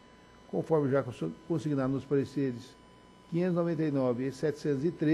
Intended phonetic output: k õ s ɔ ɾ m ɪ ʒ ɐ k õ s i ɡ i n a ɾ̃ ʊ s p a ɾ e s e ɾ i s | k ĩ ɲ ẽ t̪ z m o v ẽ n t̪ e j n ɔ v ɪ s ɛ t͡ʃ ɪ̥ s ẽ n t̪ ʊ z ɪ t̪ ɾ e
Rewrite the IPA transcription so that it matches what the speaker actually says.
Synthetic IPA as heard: k õ f ɔ ɾ m ɪ ʒ a k õ s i ɡ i n a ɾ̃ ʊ s p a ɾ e s e ɾ ɪ s | k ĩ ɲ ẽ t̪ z n o v ẽ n t̪ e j n ɔ v ɪ s ɛ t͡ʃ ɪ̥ s ẽ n t̪ ʊ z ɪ t̪ ɾ e